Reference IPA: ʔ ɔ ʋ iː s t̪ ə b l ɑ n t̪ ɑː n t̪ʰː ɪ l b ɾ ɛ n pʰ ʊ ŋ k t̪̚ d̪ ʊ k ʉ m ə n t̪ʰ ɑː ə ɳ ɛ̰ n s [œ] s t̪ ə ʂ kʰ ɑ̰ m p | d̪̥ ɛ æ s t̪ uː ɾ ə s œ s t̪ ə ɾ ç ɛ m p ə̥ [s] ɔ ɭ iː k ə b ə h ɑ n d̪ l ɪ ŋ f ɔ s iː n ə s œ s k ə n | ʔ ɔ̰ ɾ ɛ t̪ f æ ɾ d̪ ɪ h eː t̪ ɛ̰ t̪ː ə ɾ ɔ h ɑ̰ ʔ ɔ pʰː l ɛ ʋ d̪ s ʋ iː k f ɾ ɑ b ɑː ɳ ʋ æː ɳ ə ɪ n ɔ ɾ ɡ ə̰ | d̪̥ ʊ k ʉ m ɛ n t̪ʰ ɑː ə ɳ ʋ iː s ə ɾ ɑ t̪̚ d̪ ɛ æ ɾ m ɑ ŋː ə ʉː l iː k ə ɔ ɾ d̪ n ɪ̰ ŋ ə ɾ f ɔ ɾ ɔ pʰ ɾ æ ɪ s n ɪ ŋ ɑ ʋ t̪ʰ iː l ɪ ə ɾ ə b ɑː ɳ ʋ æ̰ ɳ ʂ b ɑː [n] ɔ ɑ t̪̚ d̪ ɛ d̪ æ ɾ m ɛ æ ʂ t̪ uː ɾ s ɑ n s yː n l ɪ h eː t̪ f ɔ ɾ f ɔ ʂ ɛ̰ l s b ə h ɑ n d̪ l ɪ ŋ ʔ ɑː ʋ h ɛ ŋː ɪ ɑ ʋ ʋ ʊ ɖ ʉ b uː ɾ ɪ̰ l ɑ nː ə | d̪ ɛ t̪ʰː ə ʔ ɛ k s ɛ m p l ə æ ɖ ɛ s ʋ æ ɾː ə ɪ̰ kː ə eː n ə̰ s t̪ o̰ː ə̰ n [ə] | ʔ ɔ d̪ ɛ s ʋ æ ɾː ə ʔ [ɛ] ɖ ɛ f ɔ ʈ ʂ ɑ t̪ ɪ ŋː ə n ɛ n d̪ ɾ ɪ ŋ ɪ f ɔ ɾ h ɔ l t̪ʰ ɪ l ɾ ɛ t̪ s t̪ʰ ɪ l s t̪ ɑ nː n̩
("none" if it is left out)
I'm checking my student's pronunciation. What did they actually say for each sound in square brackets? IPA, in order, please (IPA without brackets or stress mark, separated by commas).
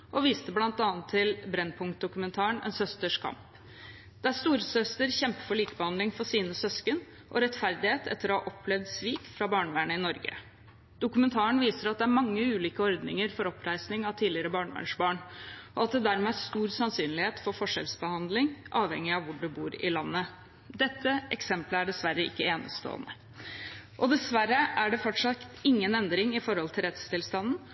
œ, f, ɳ, ə, æ